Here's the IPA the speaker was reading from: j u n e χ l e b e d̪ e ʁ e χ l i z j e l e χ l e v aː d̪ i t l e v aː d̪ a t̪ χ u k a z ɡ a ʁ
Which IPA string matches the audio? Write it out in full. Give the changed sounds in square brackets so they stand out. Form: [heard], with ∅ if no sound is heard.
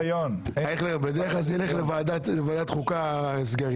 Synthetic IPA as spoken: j [o] n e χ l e b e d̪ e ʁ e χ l [a] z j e l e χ l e v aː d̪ [a] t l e v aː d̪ a t̪ χ u k a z ɡ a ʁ